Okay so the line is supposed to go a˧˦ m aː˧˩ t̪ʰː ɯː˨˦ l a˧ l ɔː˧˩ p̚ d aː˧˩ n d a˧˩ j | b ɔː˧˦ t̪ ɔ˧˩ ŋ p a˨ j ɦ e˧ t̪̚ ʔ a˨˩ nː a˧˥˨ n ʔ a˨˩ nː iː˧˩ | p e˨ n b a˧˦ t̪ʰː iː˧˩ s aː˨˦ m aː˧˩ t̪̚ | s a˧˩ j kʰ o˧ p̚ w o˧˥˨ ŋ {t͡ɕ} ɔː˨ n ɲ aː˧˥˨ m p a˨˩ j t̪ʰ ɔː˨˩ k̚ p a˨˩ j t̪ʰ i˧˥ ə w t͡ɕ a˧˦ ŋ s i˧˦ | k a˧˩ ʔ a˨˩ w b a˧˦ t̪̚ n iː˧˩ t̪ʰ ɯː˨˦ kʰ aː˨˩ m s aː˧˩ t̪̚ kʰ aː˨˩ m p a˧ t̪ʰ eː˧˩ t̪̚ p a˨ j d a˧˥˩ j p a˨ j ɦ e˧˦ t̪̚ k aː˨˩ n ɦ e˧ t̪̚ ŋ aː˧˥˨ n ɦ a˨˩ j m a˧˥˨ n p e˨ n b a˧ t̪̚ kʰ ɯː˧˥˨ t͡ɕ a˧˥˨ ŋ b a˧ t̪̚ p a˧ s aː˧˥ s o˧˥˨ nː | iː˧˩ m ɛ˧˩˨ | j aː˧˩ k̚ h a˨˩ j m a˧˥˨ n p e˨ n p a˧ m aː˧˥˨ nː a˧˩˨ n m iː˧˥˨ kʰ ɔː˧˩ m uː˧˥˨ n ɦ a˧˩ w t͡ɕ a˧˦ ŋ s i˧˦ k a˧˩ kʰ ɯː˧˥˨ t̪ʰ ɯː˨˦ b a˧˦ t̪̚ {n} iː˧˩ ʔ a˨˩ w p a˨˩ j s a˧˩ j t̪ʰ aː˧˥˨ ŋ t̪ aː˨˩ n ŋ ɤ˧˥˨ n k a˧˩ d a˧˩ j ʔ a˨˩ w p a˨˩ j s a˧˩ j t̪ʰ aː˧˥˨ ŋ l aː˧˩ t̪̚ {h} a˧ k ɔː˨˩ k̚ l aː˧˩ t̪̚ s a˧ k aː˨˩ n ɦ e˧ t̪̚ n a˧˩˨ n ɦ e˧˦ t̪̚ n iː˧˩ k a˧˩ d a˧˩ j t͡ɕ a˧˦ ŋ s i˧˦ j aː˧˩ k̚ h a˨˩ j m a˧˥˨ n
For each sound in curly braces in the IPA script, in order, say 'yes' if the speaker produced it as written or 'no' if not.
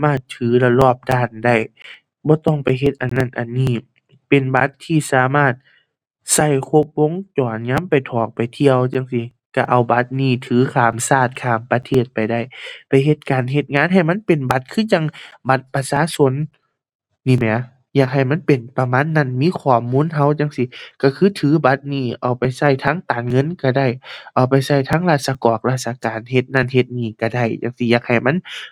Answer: yes, yes, no

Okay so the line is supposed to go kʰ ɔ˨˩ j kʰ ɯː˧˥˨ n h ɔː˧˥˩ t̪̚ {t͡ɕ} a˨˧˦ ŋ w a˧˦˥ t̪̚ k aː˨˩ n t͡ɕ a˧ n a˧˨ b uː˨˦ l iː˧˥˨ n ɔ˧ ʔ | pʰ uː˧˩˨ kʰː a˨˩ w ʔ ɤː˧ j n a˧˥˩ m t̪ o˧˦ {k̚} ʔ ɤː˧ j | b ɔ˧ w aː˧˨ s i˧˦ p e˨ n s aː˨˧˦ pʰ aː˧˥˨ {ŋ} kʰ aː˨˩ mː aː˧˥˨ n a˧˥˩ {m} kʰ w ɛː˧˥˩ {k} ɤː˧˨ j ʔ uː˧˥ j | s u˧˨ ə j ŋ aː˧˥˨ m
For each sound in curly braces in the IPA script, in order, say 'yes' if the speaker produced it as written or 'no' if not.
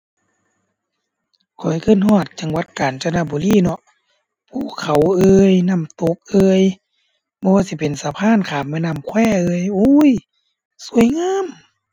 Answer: yes, yes, no, yes, no

